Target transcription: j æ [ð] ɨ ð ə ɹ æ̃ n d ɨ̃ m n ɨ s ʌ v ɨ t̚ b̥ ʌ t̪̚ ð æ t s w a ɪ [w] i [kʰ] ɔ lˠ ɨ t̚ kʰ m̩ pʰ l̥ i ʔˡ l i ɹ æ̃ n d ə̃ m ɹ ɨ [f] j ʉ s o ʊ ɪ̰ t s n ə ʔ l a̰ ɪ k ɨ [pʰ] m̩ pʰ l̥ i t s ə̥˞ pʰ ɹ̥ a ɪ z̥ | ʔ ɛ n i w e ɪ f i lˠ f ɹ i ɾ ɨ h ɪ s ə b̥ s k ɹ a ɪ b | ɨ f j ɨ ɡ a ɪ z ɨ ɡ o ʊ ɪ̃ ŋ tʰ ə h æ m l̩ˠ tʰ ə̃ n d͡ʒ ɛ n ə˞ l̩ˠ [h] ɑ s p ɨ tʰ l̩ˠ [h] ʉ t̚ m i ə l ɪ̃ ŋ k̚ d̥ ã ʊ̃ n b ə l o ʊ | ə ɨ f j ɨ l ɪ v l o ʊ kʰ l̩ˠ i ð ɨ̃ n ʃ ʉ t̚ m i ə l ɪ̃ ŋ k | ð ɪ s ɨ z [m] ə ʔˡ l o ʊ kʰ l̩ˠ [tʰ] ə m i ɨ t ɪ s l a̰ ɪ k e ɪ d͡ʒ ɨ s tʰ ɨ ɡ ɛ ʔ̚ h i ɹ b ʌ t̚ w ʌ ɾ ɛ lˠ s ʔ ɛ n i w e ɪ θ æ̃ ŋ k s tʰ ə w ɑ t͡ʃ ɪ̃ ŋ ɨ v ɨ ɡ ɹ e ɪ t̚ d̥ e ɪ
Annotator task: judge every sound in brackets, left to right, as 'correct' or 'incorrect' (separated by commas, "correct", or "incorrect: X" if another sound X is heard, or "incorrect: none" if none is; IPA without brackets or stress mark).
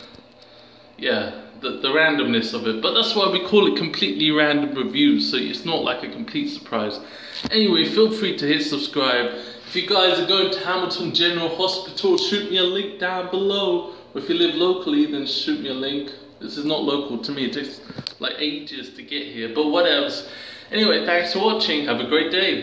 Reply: correct, correct, correct, incorrect: v, incorrect: kʰ, correct, incorrect: ʃ, incorrect: n, correct